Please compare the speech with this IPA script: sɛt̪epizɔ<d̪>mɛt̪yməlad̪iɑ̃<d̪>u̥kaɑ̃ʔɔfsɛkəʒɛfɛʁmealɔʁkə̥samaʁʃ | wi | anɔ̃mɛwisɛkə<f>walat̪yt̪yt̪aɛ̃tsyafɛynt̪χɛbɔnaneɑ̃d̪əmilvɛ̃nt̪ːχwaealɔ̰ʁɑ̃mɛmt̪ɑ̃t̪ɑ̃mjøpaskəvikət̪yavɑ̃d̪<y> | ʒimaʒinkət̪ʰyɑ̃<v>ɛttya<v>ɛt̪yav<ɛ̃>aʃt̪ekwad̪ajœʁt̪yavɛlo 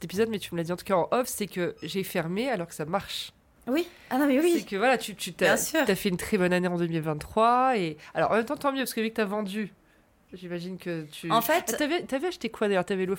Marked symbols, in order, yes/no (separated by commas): yes, no, no, yes, no, yes, no